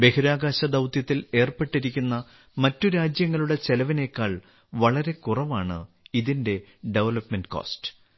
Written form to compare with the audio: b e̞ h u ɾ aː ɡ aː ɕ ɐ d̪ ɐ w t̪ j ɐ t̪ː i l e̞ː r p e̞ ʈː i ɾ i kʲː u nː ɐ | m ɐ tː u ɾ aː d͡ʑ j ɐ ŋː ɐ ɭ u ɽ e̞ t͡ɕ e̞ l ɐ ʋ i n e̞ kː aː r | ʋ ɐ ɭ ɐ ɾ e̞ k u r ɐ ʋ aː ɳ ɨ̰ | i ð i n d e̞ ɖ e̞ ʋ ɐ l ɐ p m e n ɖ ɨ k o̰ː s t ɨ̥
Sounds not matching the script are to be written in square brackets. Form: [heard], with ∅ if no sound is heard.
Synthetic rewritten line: b e̞ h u ɾ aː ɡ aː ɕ ɐ d̪ ɐ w t̪ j ɐ t̪ː i l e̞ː r p e̞ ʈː i ɾ i kʲː u nː ɐ | m ɐ tː u ɾ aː d͡ʑ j ɐ ŋː ɐ ɭ u ɽ e̞ t͡ɕ e̞ l ɐ ʋ i n e̞ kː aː [ɭ] | ʋ ɐ ɭ ɐ ɾ e̞ k u r ɐ ʋ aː ɳ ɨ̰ | i ð i n d e̞ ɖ e̞ ʋ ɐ l ɐ p m e n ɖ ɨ k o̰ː s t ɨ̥